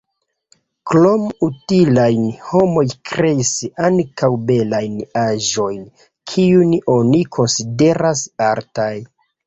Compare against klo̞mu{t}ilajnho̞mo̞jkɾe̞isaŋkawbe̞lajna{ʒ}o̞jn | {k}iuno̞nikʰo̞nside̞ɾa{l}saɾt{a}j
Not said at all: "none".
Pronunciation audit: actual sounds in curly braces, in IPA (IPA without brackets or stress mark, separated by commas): t, ʒ, kʰ, none, a